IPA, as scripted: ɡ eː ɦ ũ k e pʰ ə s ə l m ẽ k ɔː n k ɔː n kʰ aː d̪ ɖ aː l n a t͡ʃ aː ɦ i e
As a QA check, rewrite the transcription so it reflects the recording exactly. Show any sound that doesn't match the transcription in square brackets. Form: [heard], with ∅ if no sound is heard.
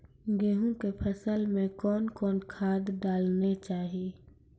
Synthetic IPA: ɡ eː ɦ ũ k e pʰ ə s ə l m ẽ k ɔː n k ɔː n kʰ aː d̪ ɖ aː l n [e] t͡ʃ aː ɦ i e